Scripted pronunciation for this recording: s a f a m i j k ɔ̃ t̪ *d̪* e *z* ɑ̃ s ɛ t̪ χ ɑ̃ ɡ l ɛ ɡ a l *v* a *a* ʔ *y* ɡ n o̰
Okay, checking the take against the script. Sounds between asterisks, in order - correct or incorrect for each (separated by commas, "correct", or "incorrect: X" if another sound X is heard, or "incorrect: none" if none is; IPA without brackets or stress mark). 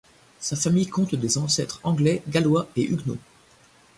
correct, correct, incorrect: w, incorrect: e, correct